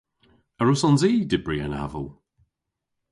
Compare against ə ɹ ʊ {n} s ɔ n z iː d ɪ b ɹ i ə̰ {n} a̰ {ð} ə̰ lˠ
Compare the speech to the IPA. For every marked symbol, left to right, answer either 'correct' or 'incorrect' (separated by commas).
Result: incorrect, correct, incorrect